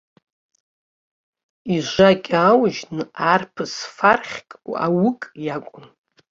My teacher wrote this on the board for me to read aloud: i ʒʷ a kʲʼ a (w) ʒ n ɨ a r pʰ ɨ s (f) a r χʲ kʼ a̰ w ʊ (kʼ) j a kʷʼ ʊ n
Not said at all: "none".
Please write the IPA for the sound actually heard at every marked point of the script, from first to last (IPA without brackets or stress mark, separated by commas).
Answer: w, f, kʼ